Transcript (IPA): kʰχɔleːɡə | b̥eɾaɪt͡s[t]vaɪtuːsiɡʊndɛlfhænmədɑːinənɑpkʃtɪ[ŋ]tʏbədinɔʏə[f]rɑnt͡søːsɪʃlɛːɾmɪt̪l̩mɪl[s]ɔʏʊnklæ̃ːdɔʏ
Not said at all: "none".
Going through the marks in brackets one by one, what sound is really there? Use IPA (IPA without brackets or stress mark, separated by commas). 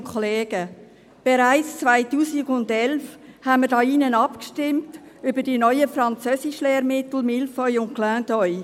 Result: t͡s, m, f, f